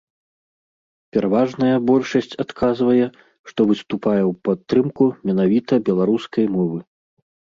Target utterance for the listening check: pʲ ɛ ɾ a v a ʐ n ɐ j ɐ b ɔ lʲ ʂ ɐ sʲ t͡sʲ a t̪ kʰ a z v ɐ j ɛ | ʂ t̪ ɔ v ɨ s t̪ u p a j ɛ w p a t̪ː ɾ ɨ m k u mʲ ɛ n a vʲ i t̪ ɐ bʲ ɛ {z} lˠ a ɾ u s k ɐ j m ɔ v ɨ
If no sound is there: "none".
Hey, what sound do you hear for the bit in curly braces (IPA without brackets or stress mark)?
none